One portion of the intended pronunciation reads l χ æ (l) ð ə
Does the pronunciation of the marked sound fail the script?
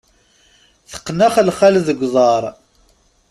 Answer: no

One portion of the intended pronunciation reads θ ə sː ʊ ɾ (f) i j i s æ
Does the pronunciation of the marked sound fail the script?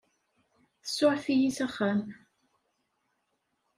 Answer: yes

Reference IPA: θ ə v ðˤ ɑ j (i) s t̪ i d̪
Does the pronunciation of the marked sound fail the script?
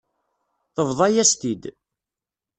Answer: yes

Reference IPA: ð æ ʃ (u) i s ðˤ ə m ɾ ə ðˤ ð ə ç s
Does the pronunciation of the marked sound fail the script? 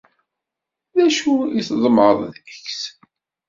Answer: no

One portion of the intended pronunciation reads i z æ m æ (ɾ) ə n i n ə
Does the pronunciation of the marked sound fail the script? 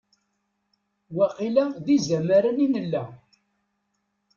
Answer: no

